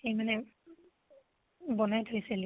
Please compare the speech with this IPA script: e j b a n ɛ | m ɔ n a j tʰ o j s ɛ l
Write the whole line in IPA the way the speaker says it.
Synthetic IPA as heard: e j m a n ɛ | b ɔ n a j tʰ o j s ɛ l